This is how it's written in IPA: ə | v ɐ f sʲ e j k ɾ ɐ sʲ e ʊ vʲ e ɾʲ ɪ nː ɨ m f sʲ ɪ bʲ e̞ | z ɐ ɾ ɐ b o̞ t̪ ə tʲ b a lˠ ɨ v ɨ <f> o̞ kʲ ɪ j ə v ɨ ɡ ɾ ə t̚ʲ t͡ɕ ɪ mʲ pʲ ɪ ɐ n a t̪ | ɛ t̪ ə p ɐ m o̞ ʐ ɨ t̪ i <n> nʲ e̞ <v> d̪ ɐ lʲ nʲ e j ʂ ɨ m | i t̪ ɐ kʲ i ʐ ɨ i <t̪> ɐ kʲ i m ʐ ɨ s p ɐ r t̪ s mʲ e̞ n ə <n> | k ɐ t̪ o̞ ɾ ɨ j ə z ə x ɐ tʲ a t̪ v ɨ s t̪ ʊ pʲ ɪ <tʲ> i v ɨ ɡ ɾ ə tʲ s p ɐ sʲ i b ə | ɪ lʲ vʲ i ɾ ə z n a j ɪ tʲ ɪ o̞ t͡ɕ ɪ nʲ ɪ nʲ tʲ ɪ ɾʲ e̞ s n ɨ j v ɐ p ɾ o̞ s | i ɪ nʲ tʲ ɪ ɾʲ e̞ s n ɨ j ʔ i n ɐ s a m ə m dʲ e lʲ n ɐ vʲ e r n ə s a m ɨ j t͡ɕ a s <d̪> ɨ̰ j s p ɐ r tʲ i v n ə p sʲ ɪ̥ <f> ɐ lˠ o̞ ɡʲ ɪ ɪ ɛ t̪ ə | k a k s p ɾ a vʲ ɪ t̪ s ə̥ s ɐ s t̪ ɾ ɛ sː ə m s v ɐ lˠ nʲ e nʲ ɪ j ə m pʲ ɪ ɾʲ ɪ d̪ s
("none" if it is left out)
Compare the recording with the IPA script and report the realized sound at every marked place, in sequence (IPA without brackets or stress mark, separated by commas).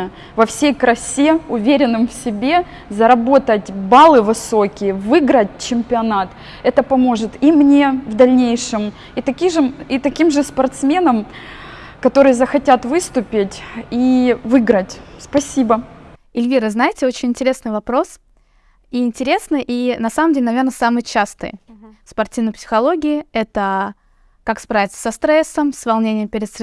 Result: s, m, v, t̪, m, tʲ, t̪, x